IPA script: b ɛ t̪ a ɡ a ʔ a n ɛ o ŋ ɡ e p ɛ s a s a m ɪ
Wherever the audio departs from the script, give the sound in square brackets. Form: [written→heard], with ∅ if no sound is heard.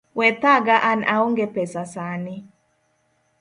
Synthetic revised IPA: [b→w] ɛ t̪ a ɡ a ʔ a n [ɛ→a] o ŋ ɡ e p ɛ s a s a [m→n] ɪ